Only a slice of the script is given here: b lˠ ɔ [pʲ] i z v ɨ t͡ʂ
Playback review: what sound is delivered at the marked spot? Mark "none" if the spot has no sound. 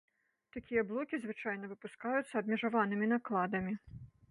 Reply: kʲ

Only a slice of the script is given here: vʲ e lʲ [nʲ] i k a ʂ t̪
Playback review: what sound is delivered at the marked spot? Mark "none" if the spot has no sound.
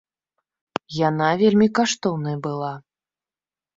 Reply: mʲ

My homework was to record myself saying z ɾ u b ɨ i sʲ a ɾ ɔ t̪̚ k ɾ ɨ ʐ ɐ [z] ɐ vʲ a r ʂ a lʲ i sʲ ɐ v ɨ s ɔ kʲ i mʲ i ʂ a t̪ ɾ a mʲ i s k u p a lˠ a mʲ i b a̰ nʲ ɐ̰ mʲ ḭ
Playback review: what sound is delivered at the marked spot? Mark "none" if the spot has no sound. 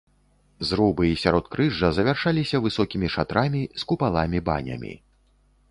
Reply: z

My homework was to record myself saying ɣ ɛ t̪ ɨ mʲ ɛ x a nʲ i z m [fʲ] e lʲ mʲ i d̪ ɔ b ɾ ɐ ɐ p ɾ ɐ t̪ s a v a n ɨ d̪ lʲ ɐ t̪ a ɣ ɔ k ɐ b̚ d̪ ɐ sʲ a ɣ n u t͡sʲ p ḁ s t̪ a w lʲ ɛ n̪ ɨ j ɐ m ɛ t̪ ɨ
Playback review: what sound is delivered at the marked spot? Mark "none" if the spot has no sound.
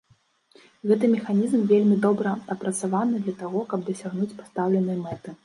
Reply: vʲ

